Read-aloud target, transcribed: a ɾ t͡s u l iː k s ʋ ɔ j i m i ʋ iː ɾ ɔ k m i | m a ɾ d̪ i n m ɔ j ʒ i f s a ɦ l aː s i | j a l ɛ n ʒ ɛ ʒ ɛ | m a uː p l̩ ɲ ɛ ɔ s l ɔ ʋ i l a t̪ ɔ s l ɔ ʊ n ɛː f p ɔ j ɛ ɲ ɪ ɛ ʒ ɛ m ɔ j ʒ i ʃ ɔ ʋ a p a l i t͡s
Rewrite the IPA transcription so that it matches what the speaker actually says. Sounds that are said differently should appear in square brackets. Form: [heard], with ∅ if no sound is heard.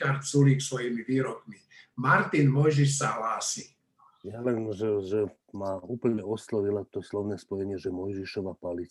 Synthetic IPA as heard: a ɾ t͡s u l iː k s ʋ ɔ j i m i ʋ iː ɾ ɔ k m i | m a ɾ [t̪] i n m ɔ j ʒ i [ʃ] s a ɦ l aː s i | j a l ɛ n ʒ ɛ ʒ ɛ | m a uː p l̩ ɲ ɛ ɔ s l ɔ ʋ i l a t̪ ɔ s l ɔ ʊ n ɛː [s] p ɔ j ɛ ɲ ɪ ɛ ʒ ɛ m ɔ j ʒ i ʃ ɔ ʋ a p a l i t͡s